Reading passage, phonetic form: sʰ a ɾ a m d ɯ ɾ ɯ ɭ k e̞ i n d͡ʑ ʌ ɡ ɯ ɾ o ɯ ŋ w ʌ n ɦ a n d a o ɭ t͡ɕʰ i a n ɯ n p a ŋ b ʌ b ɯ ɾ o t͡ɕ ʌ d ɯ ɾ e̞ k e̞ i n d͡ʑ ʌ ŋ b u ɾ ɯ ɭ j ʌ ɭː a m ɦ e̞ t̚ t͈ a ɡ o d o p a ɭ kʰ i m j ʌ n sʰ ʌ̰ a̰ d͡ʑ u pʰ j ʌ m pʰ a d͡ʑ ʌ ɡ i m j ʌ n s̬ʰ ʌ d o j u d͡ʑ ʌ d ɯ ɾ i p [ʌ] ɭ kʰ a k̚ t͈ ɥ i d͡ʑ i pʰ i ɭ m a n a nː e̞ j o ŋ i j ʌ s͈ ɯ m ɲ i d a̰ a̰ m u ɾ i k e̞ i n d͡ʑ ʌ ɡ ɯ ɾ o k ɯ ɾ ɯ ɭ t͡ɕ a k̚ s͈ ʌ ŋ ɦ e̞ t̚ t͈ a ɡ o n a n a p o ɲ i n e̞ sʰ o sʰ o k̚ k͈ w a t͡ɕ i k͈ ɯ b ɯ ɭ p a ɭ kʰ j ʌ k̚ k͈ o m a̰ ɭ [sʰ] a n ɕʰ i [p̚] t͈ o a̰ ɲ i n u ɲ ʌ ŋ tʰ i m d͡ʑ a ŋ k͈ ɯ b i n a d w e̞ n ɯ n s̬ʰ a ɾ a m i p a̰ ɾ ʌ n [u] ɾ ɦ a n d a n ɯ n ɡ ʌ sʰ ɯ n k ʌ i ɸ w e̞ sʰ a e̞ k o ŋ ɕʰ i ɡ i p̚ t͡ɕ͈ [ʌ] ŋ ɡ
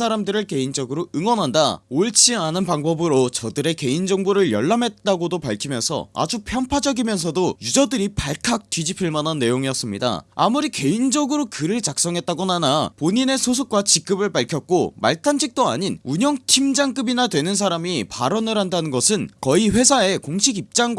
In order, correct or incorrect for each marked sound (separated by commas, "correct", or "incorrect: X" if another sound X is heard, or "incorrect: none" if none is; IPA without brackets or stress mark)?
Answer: incorrect: a, incorrect: tʰ, incorrect: k̚, incorrect: ɯ, incorrect: a